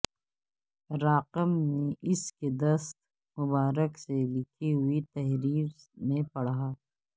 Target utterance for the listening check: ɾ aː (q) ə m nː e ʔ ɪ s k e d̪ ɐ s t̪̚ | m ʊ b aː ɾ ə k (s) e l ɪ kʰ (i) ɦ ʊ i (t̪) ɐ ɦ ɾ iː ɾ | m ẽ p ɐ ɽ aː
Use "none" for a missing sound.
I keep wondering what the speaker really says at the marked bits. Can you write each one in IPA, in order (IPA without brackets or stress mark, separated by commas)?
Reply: q, s, i, t̪